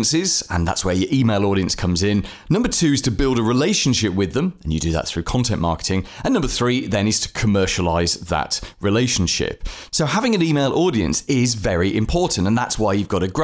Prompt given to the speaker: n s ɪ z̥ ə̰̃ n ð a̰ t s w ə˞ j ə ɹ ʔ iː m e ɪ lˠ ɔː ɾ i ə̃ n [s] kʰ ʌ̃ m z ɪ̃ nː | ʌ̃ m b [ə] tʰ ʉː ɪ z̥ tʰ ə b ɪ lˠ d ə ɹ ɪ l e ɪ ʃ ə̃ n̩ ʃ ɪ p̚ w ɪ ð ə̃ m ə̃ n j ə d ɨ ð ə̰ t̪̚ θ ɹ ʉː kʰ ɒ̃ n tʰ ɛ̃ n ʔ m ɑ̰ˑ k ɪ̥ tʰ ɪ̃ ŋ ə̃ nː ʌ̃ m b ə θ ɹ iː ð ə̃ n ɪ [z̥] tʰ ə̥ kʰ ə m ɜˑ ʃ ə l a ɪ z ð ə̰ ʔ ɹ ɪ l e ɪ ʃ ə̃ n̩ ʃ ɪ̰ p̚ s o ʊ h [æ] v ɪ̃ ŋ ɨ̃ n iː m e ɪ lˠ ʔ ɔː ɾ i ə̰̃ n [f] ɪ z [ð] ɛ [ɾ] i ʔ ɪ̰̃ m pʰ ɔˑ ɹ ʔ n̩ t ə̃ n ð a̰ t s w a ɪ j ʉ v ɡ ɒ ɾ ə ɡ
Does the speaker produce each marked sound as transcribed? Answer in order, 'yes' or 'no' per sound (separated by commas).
yes, yes, yes, no, no, no, no